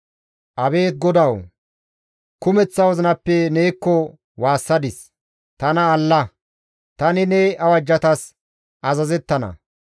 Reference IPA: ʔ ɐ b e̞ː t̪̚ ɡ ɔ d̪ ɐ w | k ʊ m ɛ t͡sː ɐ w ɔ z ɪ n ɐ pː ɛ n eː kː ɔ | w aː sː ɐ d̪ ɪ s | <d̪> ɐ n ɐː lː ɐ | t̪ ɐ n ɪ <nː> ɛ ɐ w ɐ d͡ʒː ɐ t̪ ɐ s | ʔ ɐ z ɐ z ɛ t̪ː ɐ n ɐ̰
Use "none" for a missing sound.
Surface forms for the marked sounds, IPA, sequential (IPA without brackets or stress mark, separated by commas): t̪, n